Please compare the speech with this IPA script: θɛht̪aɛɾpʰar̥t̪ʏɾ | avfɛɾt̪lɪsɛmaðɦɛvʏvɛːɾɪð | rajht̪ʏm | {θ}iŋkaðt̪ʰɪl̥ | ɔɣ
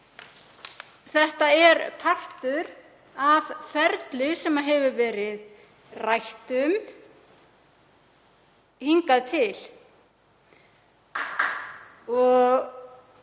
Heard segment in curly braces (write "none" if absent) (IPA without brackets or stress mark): h